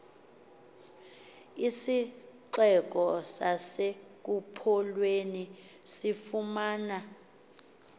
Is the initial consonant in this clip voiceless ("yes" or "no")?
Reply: yes